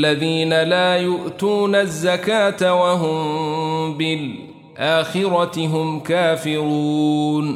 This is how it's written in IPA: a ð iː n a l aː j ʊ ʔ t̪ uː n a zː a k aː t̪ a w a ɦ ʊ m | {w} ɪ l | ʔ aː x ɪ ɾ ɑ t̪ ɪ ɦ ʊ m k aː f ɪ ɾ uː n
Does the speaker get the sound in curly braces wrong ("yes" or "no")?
yes